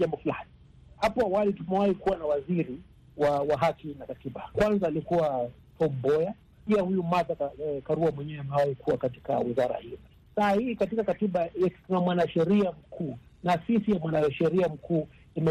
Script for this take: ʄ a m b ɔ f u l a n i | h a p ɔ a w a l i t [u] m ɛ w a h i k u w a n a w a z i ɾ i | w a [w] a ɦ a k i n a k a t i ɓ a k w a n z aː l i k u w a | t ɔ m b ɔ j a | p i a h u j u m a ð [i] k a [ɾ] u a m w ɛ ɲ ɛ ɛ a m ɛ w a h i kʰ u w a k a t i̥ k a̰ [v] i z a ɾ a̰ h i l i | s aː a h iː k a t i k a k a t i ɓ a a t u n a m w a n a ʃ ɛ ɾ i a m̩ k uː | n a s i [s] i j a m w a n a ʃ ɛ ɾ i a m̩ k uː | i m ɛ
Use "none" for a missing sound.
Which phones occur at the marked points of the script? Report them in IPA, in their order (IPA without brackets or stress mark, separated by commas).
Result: u, w, a, ɾ, w, s